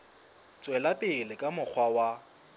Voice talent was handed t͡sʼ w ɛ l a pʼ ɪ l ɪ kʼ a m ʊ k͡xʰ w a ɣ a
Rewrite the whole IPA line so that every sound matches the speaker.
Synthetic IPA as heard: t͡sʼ w ɛ l a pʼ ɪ l ɪ kʼ a m ʊ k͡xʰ w a w a